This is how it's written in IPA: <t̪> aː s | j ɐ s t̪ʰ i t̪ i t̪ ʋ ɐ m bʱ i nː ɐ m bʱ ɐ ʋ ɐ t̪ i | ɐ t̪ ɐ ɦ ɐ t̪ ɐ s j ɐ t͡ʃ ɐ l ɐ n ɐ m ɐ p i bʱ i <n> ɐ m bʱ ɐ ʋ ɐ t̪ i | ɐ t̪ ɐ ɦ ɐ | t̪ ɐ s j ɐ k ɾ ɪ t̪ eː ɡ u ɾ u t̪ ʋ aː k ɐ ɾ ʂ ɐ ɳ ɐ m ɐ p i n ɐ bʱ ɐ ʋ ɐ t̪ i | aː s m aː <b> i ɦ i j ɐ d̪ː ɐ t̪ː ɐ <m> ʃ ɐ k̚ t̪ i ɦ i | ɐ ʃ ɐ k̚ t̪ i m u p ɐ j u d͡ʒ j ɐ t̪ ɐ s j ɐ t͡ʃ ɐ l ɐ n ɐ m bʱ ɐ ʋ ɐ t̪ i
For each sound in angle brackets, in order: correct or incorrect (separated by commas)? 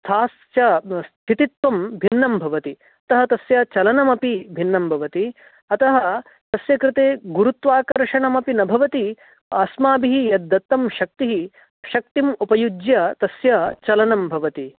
incorrect, incorrect, correct, correct